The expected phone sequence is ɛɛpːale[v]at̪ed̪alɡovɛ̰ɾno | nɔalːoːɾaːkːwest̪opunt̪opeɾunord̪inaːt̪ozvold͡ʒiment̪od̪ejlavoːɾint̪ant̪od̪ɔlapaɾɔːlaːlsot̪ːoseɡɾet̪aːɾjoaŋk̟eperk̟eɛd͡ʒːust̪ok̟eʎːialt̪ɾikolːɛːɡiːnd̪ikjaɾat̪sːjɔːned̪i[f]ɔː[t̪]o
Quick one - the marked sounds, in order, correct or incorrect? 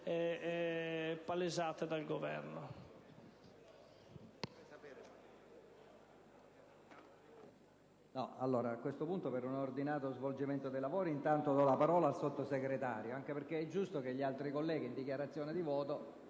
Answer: incorrect, incorrect, correct

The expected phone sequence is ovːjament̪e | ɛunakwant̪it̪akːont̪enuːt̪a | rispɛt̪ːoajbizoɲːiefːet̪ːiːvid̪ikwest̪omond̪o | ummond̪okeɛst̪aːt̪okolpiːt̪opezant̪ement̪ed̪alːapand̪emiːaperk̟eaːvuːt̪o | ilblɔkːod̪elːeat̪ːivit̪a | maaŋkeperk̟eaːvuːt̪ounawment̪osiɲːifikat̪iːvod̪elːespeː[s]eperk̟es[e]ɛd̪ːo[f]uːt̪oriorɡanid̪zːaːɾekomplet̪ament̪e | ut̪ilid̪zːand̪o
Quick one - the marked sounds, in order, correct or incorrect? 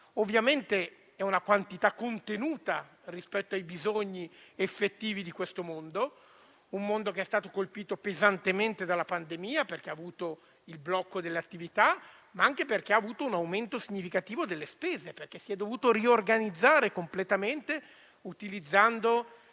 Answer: incorrect, incorrect, incorrect

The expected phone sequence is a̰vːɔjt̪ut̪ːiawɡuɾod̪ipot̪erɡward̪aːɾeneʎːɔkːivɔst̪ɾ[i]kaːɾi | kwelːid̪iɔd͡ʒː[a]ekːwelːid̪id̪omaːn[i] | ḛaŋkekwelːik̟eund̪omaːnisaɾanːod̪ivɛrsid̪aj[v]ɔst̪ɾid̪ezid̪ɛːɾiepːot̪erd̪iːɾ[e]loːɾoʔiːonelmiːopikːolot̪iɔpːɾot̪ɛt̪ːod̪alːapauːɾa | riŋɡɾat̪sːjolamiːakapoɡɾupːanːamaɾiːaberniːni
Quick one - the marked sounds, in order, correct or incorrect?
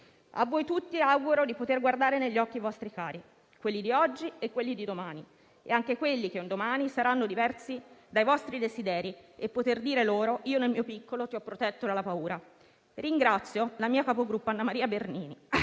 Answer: correct, incorrect, correct, correct, correct

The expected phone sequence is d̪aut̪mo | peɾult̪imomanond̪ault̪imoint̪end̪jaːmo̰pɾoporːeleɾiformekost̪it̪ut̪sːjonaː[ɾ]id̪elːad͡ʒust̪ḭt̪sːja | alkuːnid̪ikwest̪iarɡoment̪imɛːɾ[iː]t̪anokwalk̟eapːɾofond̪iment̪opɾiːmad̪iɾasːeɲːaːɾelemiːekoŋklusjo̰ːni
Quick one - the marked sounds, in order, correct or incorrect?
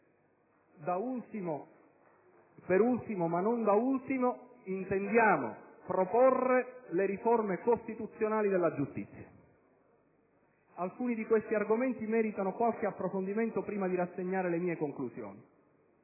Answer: incorrect, incorrect

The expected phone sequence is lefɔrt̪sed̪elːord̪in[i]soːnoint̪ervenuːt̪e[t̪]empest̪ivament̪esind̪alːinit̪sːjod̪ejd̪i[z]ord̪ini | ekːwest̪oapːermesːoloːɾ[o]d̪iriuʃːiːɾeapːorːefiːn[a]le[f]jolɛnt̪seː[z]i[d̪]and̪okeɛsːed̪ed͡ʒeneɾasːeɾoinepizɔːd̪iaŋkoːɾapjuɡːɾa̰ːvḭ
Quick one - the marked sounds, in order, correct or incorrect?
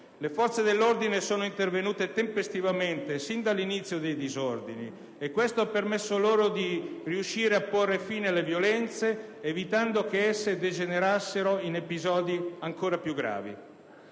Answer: incorrect, correct, correct, correct, incorrect, incorrect, incorrect, incorrect

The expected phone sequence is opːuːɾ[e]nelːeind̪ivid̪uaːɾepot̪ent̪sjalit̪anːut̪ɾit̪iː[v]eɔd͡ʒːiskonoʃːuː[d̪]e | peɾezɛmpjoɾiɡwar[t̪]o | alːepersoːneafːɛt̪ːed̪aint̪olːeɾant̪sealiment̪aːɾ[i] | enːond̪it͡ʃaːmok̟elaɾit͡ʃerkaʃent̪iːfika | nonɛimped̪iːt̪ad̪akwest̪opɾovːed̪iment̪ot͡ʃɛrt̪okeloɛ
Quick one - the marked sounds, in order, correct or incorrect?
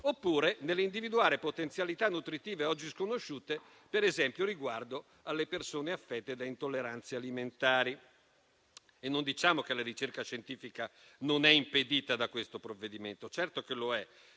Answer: correct, correct, incorrect, incorrect, correct

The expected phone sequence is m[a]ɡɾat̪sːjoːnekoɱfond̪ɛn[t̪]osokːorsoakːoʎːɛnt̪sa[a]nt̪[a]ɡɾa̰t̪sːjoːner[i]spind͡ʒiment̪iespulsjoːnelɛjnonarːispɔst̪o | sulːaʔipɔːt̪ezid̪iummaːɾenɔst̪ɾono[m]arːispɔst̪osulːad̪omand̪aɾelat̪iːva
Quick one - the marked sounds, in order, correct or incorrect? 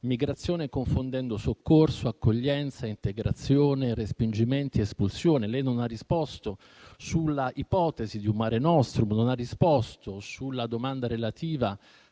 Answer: incorrect, incorrect, incorrect, incorrect, incorrect, incorrect

